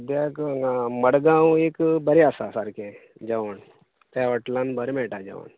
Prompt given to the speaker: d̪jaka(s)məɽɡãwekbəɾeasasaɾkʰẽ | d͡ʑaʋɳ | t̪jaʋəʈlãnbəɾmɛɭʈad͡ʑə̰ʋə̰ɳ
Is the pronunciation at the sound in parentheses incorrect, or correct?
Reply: incorrect